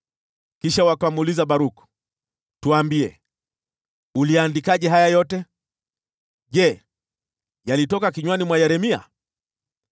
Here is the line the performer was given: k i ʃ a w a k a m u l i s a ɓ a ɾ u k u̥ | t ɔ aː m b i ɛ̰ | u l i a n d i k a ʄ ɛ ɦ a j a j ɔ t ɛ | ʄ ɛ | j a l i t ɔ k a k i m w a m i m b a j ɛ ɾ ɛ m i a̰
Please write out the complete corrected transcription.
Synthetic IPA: k i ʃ a w a k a m u l i z a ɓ a ɾ u k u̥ | t u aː m b i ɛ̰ | u l i a n d i k a ʄ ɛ ɦ a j a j ɔ t ɛ | ʄ ɛ | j a l i t ɔ k a k i ɲ w a n i m w a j ɛ ɾ ɛ m i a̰